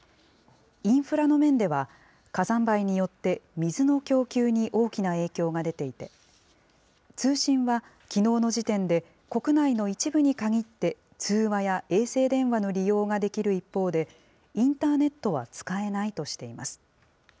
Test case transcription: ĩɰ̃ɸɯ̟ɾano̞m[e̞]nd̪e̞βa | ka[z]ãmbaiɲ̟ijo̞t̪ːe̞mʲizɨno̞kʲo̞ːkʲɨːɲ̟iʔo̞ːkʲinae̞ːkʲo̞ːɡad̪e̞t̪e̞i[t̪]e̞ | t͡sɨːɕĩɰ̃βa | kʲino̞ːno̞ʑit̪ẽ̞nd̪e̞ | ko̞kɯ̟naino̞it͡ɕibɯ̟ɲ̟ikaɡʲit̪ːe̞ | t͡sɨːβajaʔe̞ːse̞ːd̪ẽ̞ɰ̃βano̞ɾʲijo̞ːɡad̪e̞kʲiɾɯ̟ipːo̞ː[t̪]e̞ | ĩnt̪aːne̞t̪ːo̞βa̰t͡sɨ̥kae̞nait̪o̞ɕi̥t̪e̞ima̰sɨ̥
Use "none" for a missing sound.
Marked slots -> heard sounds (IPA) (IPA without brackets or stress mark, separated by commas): ẽ̞, z, t̪, d̪